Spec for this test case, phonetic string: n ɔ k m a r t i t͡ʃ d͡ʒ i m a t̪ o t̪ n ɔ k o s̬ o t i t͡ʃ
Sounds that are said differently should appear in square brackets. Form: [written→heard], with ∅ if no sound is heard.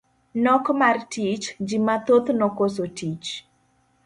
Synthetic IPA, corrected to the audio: n ɔ k m a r t i t͡ʃ d͡ʒ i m a t̪ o t̪ n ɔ k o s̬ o t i t͡ʃ